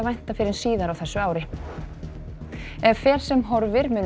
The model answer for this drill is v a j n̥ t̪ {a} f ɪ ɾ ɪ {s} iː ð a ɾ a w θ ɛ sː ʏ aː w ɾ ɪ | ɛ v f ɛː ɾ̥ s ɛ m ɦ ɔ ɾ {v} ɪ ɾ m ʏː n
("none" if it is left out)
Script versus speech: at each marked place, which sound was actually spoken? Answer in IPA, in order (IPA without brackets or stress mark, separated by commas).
a, s, v